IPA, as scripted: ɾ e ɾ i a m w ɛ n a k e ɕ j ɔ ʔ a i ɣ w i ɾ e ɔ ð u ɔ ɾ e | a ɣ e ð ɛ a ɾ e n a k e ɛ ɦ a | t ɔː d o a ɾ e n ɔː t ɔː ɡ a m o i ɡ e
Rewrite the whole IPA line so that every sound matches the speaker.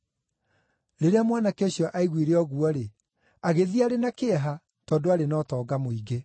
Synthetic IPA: ɾ e ɾ e a m w a n a k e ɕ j ɔ ʔ a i ɣ w i ɾ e ɔ ɣ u ɔ ɾ e | a ɣ e ð i a ɾ e n a k e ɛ ɦ a | t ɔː d o a ɾ e n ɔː t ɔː ɡ a m o i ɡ e